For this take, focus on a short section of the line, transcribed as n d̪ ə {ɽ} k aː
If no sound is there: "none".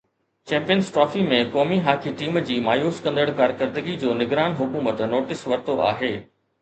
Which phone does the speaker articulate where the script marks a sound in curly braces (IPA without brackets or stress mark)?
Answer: ɽ